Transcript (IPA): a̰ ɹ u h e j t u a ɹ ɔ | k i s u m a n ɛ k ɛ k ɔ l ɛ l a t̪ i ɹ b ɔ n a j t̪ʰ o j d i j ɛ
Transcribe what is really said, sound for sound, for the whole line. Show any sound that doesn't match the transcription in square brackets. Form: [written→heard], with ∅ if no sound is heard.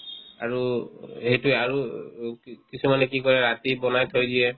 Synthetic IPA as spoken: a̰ ɹ u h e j t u a ɹ [ɔ→u] | k i s u m a n ɛ k [ɛ→i] k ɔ [l→ɹ] ɛ [l→ɹ] a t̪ i [ɹ→∅] b ɔ n a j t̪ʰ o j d i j ɛ